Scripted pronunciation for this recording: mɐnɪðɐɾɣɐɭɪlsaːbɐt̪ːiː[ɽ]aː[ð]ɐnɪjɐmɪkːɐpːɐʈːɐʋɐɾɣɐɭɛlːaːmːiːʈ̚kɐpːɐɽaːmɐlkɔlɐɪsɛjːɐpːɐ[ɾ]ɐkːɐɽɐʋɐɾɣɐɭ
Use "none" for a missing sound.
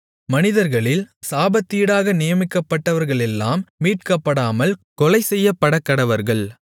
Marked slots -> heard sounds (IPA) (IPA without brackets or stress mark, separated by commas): ɽ, ɣ, ɽ